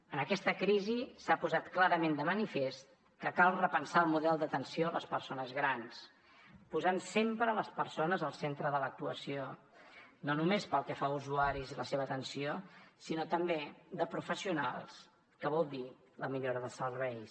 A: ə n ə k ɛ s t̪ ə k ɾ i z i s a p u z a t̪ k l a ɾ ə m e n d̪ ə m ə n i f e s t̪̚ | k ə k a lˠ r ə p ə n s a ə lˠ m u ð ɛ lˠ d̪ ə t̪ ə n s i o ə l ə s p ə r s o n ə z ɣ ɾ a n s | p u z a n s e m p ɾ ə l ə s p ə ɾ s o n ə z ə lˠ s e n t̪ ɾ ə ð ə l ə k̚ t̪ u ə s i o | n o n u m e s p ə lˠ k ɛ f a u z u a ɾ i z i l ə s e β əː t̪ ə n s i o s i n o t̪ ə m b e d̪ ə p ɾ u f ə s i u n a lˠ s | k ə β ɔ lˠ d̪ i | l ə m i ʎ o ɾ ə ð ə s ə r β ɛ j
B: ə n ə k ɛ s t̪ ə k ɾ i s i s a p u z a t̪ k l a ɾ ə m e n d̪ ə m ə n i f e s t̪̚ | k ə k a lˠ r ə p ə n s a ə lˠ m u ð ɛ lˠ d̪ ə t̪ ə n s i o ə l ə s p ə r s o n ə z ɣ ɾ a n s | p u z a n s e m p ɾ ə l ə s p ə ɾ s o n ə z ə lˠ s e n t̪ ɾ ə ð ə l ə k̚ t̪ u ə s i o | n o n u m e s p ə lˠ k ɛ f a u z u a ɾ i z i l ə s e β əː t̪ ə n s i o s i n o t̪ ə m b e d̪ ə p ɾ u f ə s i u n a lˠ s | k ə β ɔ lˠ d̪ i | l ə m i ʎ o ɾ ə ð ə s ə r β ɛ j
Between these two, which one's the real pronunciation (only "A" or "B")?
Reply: A